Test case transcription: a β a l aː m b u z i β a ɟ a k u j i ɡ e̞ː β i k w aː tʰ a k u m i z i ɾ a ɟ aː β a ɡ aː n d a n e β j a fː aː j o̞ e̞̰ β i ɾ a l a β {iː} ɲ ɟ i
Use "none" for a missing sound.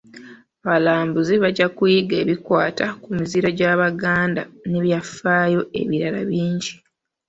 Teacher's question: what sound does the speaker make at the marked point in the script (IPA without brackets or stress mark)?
iː